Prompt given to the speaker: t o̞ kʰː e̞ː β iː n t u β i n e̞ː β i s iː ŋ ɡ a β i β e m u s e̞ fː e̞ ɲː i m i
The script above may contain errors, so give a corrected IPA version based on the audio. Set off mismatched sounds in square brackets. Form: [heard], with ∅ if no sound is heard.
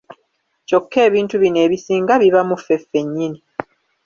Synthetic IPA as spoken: [c] o̞ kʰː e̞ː β iː n t u β i n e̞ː β i s iː ŋ ɡ a β i β [a] m u [f] e̞ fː e̞ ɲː i [n] i